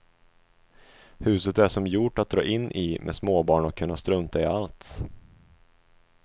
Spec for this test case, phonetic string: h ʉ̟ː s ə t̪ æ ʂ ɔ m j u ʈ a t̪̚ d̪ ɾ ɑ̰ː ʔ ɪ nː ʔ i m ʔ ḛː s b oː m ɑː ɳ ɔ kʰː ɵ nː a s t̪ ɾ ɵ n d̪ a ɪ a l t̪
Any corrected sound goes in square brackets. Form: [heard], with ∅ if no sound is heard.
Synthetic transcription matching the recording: h ʉ̟ː s ə t̪ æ ʂ ɔ m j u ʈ a t̪̚ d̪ ɾ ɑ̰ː ʔ ɪ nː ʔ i m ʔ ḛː s [m] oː [b] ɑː ɳ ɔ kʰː ɵ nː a s t̪ ɾ ɵ n [t̪] a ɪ a l t̪